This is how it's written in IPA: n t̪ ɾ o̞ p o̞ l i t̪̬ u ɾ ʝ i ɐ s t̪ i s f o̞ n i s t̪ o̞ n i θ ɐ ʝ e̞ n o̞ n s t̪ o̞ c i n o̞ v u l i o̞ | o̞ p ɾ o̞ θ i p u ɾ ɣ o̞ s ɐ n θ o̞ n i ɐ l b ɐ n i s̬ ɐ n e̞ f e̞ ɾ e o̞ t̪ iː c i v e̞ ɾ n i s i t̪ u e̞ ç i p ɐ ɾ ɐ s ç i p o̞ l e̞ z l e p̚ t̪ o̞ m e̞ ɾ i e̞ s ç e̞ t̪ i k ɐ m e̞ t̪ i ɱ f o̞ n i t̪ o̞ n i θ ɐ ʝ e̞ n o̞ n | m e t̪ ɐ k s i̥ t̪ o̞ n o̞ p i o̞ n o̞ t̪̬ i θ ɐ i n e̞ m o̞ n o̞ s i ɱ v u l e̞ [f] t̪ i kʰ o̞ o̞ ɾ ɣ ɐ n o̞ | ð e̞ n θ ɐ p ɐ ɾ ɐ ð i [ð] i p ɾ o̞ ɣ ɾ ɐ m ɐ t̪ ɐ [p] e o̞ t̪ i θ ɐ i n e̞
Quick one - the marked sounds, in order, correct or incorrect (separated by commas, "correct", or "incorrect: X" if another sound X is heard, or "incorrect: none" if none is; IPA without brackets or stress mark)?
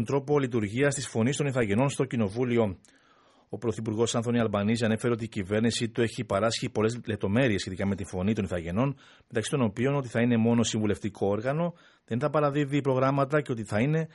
correct, correct, incorrect: c